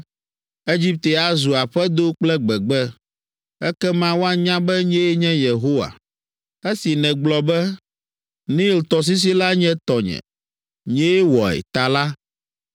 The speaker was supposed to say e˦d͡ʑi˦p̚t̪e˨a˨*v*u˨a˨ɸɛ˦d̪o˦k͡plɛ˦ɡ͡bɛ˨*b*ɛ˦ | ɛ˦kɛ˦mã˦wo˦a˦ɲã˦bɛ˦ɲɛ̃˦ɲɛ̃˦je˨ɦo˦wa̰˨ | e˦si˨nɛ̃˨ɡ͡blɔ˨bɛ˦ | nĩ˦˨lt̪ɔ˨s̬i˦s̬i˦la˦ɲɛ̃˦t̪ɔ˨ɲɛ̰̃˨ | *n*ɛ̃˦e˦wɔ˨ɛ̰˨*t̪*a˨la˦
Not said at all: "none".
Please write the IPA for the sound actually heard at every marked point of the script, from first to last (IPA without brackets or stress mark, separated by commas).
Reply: z, ɡ͡b, ɲ, t̪